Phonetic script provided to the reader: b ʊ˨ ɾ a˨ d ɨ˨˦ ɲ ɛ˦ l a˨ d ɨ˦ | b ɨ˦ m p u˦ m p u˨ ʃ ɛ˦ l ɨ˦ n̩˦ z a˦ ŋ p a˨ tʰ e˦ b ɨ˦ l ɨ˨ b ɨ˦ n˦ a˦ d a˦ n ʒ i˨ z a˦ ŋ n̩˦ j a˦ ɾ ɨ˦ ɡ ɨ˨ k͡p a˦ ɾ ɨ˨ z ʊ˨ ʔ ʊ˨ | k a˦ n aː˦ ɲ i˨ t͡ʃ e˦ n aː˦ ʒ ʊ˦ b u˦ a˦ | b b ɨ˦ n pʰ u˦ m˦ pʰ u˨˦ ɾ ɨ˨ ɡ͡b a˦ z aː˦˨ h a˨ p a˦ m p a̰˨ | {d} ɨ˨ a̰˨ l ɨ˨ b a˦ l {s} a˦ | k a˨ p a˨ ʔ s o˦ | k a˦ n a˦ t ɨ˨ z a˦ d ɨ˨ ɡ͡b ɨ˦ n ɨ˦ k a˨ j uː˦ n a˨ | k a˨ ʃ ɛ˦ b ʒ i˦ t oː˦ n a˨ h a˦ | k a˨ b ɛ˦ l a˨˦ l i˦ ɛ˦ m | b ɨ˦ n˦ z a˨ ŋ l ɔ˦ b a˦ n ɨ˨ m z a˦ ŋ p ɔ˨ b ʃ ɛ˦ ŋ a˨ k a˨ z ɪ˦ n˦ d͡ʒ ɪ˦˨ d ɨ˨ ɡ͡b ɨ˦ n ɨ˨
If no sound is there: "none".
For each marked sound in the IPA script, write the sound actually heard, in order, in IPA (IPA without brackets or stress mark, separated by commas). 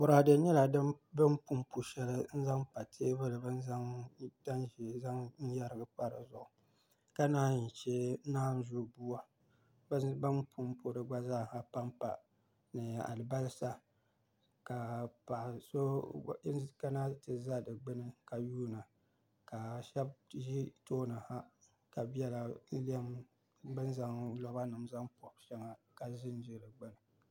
n, s